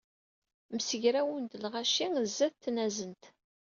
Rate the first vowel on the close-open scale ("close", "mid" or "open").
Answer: mid